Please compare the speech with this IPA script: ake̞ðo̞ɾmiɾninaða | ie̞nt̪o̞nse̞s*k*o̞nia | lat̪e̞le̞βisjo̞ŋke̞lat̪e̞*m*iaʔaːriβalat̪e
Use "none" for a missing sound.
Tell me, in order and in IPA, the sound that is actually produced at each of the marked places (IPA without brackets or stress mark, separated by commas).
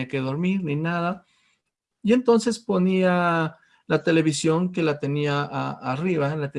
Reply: p, n